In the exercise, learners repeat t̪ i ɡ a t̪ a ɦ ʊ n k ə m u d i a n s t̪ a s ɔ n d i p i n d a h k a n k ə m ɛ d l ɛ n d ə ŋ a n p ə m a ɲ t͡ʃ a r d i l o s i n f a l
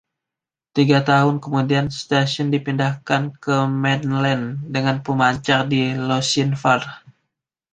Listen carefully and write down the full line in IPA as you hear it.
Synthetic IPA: t̪ i ɡ a t̪ a ɦ ʊ n k ə m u d i a n s t̪ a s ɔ n d i p i n d a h k a n k ə m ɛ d l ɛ n d ə ŋ a n p ə m a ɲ t͡ʃ a r d i l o s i n f a r